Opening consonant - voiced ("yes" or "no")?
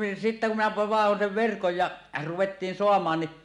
no